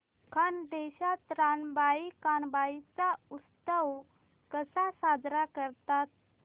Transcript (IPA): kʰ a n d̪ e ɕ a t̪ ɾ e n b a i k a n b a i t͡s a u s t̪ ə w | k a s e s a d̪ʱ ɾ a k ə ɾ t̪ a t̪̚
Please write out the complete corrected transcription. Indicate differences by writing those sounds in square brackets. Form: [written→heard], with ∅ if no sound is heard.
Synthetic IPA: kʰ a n d̪ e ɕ a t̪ ɾ [e→a] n b a i k a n b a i t͡s a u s t̪ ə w | k [a→ə] s [e→a] s a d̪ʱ ɾ a k ə ɾ t̪ a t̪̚